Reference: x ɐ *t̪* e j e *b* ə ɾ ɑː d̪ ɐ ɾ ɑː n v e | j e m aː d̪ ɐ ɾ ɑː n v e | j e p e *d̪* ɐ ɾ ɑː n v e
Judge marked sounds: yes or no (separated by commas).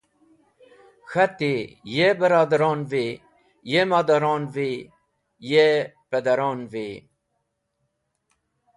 yes, yes, yes